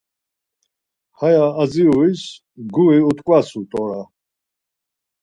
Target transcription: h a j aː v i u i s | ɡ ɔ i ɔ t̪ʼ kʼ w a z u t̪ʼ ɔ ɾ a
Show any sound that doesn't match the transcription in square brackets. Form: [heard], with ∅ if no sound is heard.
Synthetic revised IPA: h a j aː [z] i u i s | ɡ [u] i [u] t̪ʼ kʼ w a [s] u t̪ʼ ɔ ɾ a